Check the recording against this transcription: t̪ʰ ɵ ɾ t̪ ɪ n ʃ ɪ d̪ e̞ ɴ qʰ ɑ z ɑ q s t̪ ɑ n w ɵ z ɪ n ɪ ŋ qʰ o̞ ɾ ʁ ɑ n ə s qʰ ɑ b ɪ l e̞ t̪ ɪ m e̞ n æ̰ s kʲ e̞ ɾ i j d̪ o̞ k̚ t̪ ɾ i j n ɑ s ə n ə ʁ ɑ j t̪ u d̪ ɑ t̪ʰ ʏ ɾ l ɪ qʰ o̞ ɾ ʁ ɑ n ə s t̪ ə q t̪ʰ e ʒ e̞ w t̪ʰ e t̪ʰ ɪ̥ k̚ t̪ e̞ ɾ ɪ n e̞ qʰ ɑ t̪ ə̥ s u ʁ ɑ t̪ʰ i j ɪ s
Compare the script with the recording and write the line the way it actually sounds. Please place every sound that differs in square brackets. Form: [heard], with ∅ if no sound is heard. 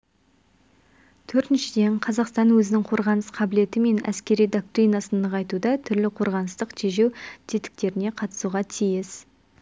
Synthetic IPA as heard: t̪ʰ ɵ ɾ t̪ ɪ n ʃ ɪ d̪ e̞ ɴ qʰ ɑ z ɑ q s t̪ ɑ n w ɵ z ɪ n ɪ ŋ qʰ o̞ ɾ ʁ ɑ n ə s qʰ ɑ b ɪ l e̞ t̪ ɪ m e̞ n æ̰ s kʲ e̞ ɾ i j d̪ o̞ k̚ t̪ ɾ i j n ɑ s ə n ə ʁ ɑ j t̪ u d̪ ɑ t̪ʰ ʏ ɾ l ɪ qʰ o̞ ɾ ʁ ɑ n ə s t̪ ə q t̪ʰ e ʒ e̞ w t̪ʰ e [t̪] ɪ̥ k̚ t̪ e̞ ɾ ɪ n e̞ qʰ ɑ t̪ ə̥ s u ʁ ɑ t̪ʰ i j ɪ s

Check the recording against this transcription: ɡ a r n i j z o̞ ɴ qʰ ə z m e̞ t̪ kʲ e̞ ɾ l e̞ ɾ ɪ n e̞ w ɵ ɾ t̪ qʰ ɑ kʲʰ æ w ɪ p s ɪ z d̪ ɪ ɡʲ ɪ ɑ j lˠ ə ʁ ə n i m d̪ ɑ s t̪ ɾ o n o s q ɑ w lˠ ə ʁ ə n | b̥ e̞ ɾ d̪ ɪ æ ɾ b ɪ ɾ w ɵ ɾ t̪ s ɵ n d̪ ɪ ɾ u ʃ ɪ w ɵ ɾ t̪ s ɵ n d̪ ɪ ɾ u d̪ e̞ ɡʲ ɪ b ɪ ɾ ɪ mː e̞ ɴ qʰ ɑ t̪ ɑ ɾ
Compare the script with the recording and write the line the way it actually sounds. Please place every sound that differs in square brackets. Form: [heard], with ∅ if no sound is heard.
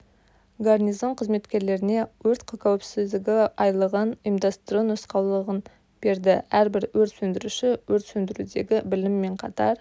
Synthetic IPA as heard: ɡ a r n i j z o̞ ɴ qʰ ə z m e̞ t̪ kʲ e̞ ɾ l e̞ ɾ ɪ n e̞ w ɵ ɾ t̪ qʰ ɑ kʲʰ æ w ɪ p s ɪ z d̪ ɪ ɡʲ ɪ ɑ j lˠ ə ʁ ə n i m d̪ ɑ s t̪ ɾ o n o s q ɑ w lˠ ə ʁ ə n | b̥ e̞ ɾ d̪ ɪ æ ɾ b ɪ ɾ w ɵ ɾ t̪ s ɵ n d̪ ɪ ɾ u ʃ ɪ w ɵ ɾ t̪ s ɵ n d̪ ɪ ɾ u d̪ e̞ ɡʲ ɪ b ɪ [l] ɪ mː e̞ ɴ qʰ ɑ t̪ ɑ ɾ

